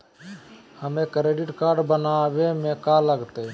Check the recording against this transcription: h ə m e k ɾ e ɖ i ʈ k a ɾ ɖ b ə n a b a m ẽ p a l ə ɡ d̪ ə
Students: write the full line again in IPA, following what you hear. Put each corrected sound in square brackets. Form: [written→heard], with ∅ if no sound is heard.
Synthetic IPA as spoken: h ə m e k ɾ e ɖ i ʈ k a ɾ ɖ b ə n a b [a→e] m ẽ [p→k] a l ə ɡ [d̪→t̪] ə